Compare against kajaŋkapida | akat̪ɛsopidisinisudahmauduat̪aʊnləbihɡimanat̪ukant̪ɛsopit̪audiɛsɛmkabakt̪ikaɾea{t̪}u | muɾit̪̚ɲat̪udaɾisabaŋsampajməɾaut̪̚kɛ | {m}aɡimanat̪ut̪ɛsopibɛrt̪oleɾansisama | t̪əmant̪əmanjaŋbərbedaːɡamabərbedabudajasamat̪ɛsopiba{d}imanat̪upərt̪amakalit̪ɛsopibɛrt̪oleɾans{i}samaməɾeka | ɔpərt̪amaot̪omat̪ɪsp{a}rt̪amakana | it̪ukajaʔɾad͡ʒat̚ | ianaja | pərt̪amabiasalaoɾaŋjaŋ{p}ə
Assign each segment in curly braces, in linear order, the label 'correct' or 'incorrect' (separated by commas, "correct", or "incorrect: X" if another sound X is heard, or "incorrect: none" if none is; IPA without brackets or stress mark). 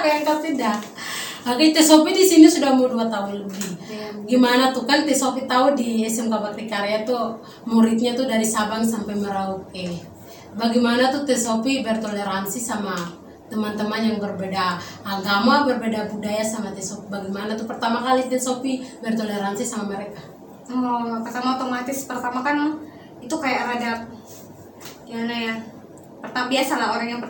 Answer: correct, incorrect: b, incorrect: ɡ, correct, incorrect: ə, correct